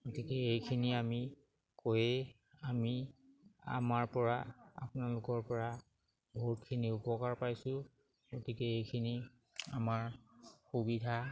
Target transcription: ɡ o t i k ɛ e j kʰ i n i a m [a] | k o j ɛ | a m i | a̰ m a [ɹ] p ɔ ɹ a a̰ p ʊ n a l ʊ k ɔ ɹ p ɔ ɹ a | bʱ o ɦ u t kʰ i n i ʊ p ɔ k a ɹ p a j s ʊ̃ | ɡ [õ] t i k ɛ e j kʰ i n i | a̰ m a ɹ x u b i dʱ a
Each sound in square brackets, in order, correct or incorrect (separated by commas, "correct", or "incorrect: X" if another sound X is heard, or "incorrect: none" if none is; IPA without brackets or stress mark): incorrect: i, correct, incorrect: o